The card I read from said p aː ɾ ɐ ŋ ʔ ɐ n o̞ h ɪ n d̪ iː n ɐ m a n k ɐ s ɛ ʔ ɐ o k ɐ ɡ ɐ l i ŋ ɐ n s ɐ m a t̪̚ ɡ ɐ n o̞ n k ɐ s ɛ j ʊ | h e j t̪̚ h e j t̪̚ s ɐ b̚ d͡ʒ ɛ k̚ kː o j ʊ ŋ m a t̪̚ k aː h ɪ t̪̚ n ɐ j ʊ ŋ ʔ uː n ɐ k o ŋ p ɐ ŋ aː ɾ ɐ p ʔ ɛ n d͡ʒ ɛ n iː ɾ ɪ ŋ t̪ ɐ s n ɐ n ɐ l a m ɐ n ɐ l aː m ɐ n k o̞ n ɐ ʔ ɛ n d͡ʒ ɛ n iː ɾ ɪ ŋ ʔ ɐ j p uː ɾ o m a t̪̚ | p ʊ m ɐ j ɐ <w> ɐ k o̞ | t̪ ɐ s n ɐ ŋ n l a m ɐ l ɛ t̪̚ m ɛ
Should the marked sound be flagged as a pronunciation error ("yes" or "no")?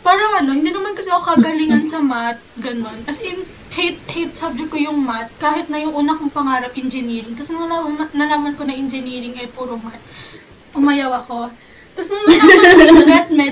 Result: no